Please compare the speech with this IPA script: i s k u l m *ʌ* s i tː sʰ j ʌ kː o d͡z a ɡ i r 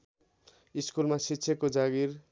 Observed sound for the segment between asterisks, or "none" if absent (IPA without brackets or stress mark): a